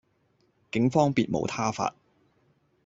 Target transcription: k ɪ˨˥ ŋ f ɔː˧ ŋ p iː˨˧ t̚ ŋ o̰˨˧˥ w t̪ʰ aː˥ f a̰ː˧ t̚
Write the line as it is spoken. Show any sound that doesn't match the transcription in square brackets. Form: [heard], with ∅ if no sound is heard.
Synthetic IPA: k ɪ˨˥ ŋ f [ɔː˥] ŋ p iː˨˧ t̚ [m] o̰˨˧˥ w t̪ʰ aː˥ f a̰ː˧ t̚